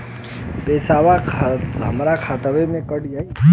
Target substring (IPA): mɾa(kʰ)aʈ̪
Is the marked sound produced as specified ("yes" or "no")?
yes